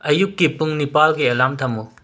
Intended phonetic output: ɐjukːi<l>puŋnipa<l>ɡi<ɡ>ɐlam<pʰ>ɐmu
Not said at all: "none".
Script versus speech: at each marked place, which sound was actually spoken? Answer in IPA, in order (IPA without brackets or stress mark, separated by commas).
none, l, none, tʰ